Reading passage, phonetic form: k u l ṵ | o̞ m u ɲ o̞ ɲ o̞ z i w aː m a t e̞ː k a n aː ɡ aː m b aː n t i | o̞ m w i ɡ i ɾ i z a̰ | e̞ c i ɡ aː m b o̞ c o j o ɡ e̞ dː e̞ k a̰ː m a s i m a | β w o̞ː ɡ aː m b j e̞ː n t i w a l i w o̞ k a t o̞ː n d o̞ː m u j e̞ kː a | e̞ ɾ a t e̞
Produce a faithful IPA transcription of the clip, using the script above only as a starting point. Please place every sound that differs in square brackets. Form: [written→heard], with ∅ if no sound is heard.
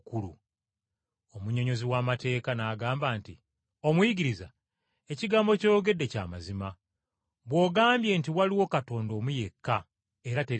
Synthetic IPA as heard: k u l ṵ | o̞ m u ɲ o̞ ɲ o̞ z i w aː m a t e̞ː k a n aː ɡ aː m b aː n t i | o̞ m w i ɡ i ɾ i z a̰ | e̞ c i ɡ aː m b o̞ c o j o ɡ e̞ dː e̞ [k→c] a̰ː m a [s→z] i m a | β w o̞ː ɡ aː m b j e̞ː n t i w a l i w o̞ k a t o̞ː n d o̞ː m u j e̞ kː a | e̞ ɾ a t e̞